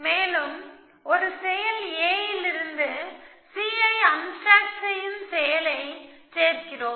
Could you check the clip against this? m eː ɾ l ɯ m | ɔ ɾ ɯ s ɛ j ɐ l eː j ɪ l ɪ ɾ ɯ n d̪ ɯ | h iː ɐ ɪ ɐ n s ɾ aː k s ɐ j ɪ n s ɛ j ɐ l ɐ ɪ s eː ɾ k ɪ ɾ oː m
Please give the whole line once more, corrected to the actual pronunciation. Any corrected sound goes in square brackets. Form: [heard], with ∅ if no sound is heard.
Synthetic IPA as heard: m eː [∅] l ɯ m | ɔ ɾ ɯ s ɛ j ɐ l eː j ɪ l ɪ ɾ ɯ n d̪ ɯ | [s] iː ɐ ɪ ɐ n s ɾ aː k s ɐ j ɪ n s ɛ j ɐ l ɐ ɪ s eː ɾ k ɪ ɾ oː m